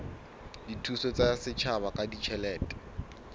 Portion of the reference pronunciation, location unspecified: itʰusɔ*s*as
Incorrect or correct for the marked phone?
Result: incorrect: t͡s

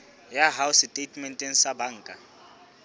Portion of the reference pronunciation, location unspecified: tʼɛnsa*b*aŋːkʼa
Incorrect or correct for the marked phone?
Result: correct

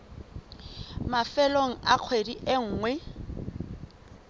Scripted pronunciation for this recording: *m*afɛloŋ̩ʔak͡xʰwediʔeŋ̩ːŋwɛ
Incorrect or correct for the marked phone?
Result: correct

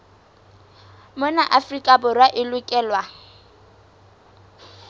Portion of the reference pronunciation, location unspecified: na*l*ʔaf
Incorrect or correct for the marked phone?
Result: incorrect: none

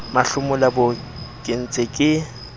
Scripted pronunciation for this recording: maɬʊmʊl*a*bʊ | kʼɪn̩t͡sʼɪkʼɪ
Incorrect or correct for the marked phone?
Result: correct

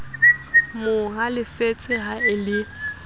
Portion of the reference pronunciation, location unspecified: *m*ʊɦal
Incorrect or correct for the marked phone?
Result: correct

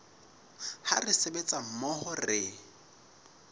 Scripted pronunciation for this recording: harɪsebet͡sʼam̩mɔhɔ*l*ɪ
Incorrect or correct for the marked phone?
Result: incorrect: r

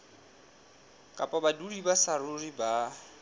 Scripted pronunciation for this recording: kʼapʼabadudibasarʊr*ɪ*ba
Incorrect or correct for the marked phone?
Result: incorrect: i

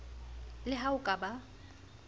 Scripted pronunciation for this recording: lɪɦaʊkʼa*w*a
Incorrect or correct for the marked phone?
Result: incorrect: b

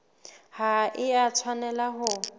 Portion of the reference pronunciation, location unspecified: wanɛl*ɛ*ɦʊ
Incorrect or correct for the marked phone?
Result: incorrect: a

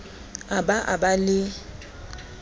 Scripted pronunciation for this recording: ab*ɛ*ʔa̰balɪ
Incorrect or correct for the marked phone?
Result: incorrect: a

